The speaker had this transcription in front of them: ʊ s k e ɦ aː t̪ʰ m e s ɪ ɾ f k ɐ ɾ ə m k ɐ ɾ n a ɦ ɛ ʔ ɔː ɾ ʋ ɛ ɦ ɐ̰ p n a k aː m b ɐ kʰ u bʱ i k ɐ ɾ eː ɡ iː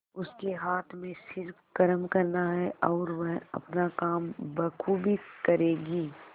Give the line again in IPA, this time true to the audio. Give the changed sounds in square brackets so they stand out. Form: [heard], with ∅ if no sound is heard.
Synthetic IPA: ʊ s k e ɦ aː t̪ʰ m [ẽ] s ɪ ɾ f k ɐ ɾ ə m k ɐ ɾ n a ɦ ɛ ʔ ɔː ɾ ʋ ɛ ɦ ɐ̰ p n a k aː m b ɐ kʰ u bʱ i k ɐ ɾ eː ɡ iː